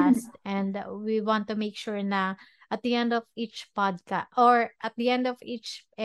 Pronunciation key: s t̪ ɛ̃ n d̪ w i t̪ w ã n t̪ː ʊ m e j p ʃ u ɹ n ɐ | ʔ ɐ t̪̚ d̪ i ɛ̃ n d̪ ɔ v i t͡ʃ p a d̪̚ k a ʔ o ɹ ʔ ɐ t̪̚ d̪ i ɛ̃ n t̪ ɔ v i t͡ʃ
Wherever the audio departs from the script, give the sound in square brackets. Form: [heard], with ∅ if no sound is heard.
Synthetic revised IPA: s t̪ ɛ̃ n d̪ w i [∅] w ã n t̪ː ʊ m e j [k] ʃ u ɹ n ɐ | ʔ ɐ t̪̚ d̪ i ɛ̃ n d̪ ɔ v i t͡ʃ p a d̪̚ k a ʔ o ɹ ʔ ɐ t̪̚ d̪ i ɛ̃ n [d̪] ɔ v i t͡ʃ